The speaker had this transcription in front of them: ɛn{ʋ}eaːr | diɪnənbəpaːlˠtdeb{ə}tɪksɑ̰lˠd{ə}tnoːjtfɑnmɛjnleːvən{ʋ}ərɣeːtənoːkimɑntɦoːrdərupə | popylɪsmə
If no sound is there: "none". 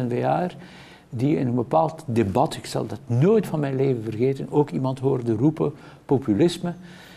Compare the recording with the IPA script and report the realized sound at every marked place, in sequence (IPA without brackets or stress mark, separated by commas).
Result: v, ɑ, ɑ, v